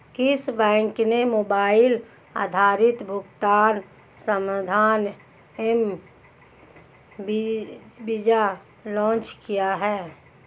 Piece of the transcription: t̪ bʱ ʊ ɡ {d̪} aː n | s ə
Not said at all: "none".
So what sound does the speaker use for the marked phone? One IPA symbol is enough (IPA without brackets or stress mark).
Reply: t̪